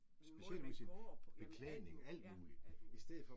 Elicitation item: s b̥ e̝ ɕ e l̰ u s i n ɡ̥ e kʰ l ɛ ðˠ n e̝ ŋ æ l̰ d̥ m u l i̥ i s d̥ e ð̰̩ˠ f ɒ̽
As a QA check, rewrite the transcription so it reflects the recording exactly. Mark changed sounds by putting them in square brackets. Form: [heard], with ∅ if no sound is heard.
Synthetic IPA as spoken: s b̥ e̝ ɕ e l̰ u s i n [b̥] e kʰ l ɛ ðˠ n e̝ ŋ æ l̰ d̥ m [uː] l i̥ i s d̥ e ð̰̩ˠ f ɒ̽